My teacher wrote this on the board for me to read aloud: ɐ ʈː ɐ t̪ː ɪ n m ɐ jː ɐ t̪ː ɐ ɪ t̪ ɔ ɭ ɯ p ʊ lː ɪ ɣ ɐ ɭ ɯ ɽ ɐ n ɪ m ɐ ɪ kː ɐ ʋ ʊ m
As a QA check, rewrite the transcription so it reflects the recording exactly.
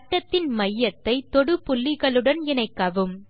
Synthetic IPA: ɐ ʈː ɐ t̪ː ɪ n m ɐ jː ɐ t̪ː ɐ ɪ t̪ ɔ ɽ ɯ p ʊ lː ɪ ɣ ɐ ɭ ɯ ɽ ɐ n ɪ n ɐ ɪ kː ɐ ʋ ɯ m